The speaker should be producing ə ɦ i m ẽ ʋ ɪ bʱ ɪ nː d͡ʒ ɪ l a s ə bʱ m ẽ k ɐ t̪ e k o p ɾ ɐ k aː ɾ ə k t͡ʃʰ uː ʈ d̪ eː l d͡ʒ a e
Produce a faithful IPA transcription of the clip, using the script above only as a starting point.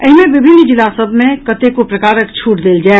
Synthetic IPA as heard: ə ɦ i m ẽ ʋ ɪ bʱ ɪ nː d͡ʒ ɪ l a s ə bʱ m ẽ k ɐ t̪ e k o p ɾ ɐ k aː ɾ ə k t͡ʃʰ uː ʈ d̪ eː l d͡ʒ a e

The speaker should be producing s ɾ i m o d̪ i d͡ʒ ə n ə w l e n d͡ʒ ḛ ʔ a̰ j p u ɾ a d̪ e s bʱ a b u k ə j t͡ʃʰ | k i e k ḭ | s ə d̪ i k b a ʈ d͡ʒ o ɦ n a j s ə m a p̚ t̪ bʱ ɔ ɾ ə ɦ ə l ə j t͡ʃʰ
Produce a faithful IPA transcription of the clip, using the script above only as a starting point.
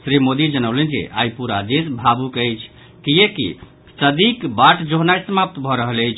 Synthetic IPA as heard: s ɾ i m o d̪ i d͡ʒ ə n ə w l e n d͡ʒ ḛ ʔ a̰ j p u ɾ a d̪ e s bʱ a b u k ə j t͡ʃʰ | k i e k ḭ | s ə d̪ i k b a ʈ d͡ʒ o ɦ n a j s ə m a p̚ t̪ bʱ ɔ ɾ ə ɦ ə l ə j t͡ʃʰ

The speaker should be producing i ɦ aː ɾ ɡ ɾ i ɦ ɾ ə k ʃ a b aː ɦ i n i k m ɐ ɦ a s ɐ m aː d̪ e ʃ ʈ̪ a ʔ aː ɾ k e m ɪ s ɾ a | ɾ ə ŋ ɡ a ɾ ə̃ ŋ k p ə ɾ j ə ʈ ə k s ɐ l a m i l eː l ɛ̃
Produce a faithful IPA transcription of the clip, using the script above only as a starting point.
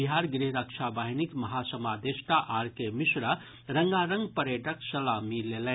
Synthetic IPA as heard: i ɦ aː ɾ ɡ ɾ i ɦ ɾ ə k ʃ a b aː ɦ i n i k m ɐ ɦ a s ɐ m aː d̪ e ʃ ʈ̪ a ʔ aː ɾ k e m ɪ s ɾ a | ɾ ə ŋ ɡ a ɾ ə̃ ŋ ɡ p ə ɾ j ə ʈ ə k s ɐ l a m i l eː l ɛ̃

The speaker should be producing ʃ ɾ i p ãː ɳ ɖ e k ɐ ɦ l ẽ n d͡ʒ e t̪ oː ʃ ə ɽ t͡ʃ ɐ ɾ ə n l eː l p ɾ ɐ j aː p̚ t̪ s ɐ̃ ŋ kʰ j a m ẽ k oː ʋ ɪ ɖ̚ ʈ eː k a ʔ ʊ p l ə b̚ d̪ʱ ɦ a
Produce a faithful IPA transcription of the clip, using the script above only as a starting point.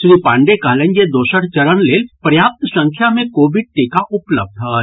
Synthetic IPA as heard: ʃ ɾ i p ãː ɳ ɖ e k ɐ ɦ l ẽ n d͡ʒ e d̪ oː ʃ ə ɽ t͡ʃ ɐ ɾ ə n l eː l p ɾ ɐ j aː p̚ t̪ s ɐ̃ ŋ kʰ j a m ẽ k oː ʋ ɪ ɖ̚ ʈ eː k a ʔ ʊ p l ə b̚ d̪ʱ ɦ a

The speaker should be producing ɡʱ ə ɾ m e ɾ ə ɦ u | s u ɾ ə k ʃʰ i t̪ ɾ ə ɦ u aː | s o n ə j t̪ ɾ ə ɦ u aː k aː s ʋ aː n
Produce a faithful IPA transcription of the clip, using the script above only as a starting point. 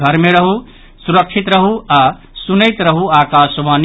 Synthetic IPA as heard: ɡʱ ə ɾ m e ɾ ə ɦ u | s u ɾ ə k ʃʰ i t̪ ɾ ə ɦ u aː | s u n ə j t̪ ɾ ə ɦ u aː k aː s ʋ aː n

